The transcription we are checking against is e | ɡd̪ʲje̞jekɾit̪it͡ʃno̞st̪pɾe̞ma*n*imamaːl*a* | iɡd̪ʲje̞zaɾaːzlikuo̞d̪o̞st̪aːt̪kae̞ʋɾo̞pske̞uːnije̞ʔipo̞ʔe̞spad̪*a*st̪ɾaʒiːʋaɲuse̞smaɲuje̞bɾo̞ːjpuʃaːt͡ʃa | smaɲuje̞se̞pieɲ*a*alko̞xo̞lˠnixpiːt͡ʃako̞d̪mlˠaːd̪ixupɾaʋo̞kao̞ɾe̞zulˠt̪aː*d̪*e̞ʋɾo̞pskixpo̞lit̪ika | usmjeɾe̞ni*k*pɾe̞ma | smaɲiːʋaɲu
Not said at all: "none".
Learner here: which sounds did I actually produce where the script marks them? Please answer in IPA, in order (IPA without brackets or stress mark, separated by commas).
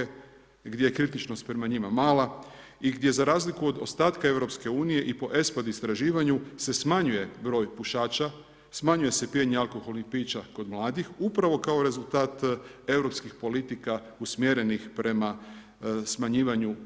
ɲ, a, i, e, t̪, x